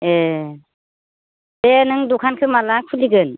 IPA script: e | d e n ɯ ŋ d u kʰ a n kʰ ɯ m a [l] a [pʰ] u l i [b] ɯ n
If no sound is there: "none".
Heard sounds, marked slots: l, kʰ, ɡ

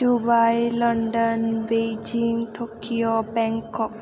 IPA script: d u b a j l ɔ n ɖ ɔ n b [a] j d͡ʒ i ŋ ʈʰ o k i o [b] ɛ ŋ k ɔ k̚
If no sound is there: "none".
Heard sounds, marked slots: e, b

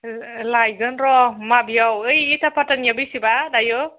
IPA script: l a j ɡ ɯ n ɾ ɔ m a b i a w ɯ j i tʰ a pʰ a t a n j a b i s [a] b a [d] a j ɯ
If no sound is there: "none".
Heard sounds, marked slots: i, d

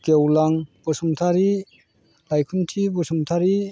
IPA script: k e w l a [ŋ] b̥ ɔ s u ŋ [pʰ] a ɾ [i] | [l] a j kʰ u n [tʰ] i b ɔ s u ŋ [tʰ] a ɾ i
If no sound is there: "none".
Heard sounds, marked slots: ŋ, tʰ, i, l, tʰ, tʰ

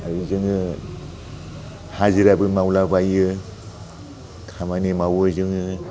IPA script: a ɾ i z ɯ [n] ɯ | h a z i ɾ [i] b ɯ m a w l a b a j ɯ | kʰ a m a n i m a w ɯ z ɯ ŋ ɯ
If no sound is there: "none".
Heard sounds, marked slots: ŋ, a

